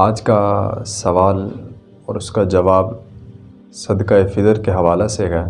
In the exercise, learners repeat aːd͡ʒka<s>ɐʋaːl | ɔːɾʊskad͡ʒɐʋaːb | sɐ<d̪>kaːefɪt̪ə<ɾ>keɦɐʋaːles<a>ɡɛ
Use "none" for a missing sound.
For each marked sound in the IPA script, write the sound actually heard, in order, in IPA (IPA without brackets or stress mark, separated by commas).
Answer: s, d̪, ɾ, e